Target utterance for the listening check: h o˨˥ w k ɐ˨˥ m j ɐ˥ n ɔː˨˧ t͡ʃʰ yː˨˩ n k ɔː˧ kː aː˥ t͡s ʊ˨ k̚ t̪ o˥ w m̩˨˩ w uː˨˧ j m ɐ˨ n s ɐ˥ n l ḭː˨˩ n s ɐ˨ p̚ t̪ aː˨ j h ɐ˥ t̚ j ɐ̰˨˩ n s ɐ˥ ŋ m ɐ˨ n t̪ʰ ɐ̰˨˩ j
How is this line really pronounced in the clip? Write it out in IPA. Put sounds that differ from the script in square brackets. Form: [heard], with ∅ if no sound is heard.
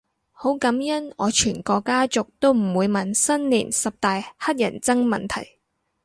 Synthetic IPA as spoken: h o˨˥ w k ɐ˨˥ m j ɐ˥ n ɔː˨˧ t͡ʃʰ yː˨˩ n k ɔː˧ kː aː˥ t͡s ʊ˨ k̚ t̪ o˥ w m̩˨˩ w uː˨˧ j m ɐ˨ n s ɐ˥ n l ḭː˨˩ n s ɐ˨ p̚ t̪ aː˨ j h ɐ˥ t̚ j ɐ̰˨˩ n [t͡s] ɐ˥ ŋ m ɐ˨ n t̪ʰ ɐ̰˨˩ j